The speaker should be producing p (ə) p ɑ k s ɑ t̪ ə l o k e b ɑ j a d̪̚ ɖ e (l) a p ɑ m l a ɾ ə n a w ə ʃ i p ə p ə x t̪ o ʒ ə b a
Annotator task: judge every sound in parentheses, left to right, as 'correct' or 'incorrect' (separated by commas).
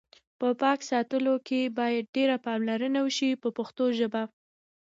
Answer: correct, incorrect